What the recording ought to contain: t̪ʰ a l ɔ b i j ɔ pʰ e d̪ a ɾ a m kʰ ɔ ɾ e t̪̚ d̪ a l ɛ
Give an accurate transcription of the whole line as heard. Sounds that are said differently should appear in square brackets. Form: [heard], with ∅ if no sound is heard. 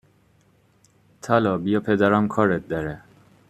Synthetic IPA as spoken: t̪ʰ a l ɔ b i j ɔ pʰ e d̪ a ɾ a m kʰ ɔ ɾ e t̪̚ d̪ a [ɾ] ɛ